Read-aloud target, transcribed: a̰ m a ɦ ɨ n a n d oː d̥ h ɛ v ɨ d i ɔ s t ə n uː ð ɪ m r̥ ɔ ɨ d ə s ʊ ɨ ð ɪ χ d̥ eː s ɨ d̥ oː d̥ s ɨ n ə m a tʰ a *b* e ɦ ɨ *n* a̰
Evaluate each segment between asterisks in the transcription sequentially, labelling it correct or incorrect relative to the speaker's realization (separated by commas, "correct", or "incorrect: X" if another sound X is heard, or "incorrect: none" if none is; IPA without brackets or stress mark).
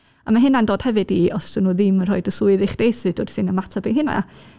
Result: correct, correct